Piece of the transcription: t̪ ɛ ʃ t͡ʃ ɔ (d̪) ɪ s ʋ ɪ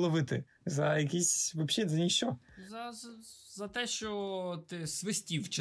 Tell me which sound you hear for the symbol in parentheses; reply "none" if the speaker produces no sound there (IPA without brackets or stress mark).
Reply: t̪